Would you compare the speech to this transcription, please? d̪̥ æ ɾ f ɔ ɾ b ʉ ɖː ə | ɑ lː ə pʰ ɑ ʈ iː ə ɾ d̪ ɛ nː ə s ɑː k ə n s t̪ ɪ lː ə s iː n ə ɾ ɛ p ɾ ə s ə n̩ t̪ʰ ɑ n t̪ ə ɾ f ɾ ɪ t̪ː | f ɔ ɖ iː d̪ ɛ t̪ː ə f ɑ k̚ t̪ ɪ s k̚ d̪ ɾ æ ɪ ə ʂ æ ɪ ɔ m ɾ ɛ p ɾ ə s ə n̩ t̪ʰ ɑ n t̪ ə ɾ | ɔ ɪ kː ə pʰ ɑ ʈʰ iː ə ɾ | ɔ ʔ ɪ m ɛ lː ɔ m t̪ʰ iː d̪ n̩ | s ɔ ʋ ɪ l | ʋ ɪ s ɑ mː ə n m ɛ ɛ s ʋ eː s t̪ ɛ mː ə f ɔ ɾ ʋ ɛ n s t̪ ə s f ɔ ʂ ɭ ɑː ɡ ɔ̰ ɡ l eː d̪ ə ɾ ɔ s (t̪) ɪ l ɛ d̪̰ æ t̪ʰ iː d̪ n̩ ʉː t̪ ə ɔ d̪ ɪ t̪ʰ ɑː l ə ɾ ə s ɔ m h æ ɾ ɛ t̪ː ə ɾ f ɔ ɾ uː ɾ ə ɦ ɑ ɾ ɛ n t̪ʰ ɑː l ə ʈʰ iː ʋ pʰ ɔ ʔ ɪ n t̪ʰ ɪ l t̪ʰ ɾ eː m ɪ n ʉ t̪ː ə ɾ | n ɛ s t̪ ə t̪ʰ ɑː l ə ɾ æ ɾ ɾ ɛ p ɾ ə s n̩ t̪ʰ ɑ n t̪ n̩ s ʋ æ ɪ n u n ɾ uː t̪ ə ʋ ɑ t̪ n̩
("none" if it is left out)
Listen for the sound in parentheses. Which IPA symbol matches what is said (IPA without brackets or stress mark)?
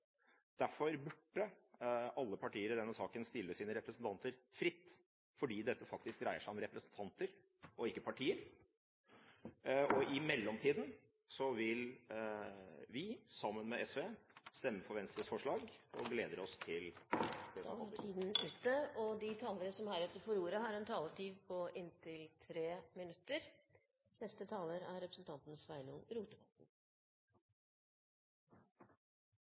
t̪ʰ